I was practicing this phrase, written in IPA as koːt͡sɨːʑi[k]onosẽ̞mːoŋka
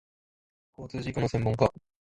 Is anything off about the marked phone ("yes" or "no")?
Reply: no